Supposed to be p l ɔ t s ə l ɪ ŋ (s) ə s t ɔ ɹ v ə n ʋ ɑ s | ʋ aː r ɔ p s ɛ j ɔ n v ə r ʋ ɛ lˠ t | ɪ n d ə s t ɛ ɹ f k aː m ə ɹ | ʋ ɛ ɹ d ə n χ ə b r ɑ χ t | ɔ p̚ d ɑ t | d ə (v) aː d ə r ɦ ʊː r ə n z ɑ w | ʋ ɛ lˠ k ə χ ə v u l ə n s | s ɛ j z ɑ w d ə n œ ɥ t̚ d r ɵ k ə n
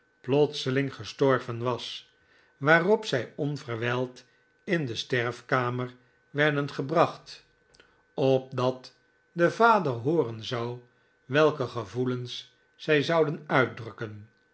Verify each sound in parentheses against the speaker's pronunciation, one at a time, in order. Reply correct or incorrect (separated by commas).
incorrect, correct